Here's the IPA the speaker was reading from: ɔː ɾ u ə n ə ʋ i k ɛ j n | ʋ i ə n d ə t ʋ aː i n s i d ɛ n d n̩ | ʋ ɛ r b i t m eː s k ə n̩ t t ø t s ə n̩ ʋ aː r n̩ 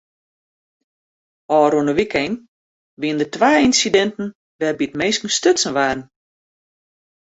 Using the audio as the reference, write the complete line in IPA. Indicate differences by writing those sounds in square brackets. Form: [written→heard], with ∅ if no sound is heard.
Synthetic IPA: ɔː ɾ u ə n ə ʋ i k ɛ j n | ʋ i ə n d ə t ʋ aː i n s i d ɛ n [d→t] n̩ | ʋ ɛ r b i t m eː s k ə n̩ [t→s] t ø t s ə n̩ ʋ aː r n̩